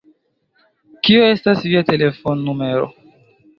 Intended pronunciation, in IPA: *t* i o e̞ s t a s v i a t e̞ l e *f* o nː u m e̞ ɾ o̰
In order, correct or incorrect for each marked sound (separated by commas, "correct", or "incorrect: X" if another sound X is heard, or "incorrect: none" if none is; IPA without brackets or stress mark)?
incorrect: k, correct